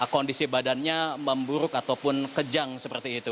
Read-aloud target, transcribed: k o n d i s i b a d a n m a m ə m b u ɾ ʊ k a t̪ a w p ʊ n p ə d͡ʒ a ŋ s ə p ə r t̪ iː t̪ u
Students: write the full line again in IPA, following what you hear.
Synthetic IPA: k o n d i s i b a d a n ɲ a m ə m b u ɾ ʊ k a t̪ a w p ʊ n k ə d͡ʒ a ŋ s ə p ə r t̪ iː t̪ u